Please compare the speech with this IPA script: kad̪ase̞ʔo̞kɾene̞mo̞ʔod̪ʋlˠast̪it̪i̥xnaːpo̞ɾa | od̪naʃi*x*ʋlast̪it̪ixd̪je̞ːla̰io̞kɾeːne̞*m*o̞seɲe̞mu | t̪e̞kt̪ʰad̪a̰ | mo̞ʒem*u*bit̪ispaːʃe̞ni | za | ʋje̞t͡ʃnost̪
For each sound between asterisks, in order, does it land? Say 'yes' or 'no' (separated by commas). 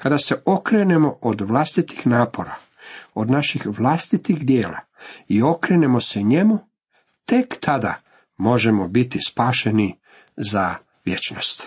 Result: yes, yes, no